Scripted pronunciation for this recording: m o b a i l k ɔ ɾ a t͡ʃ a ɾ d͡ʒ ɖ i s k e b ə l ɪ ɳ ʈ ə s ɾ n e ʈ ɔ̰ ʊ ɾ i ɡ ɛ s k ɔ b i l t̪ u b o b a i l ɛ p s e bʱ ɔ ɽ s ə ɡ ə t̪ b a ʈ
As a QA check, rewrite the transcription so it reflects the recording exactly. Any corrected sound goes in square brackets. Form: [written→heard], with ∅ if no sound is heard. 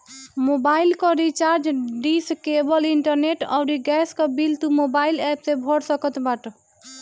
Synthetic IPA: m o b a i l k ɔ ɾ [a→i] t͡ʃ a ɾ d͡ʒ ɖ i s k e b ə l [ɪ→i] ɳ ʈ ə [s→∅] ɾ n e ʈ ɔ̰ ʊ ɾ i ɡ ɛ s k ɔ b i l t̪ u [b→m] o b a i l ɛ p s e bʱ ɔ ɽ s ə [ɡ→k] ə t̪ b a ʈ